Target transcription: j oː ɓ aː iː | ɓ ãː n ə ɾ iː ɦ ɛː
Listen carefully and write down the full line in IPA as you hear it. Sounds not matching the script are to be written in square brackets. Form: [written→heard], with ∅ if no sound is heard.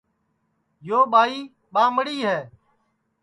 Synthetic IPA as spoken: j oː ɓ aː iː | ɓ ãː [n→m] ə [ɾ→ɽ] iː ɦ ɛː